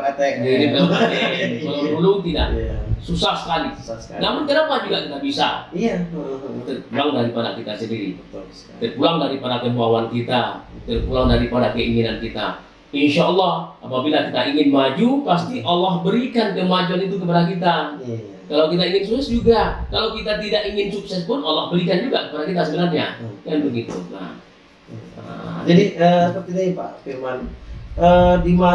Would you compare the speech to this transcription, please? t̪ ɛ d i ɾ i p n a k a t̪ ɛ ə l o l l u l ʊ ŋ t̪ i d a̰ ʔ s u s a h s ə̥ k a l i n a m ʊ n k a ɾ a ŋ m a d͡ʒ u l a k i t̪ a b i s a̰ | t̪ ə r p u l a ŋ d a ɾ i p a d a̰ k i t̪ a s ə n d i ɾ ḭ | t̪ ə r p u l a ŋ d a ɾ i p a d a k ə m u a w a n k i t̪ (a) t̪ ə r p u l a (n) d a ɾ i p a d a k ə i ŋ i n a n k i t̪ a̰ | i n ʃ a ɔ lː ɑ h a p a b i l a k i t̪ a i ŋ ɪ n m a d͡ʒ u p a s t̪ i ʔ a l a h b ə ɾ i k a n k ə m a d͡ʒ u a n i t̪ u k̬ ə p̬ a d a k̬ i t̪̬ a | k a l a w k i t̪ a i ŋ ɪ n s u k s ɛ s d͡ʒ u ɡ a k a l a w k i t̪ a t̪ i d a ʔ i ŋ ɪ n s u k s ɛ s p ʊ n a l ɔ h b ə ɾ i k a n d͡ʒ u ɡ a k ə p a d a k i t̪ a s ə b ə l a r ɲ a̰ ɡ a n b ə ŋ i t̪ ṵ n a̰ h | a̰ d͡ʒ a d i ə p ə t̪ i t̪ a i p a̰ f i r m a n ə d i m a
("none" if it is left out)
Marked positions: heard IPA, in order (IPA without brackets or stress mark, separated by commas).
a, ŋ